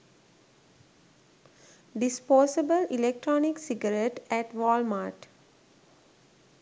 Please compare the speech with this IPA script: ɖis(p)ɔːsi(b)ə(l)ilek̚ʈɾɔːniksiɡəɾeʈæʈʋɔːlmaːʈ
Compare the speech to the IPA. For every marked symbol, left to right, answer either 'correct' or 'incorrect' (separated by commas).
correct, correct, correct